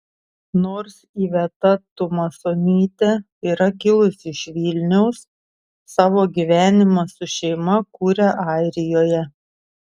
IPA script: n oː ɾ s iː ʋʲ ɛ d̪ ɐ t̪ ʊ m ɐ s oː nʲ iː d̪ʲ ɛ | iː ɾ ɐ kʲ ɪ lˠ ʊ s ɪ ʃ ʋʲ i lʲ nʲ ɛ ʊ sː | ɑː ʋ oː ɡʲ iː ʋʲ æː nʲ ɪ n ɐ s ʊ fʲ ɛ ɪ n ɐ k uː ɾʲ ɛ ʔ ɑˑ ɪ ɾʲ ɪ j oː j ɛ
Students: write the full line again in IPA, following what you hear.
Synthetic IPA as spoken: n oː ɾ s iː ʋʲ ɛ t̪ ɐ t̪ ʊ m ɐ s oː nʲ iː t̪ʲ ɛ | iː ɾ ɐ kʲ ɪ lˠ ʊ s ɪ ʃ ʋʲ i lʲ nʲ ɛ ʊ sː | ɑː ʋ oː ɡʲ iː ʋʲ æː nʲ ɪ m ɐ s ʊ ʃʲ ɛ ɪ m ɐ k uː ɾʲ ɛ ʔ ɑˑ ɪ ɾʲ ɪ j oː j ɛ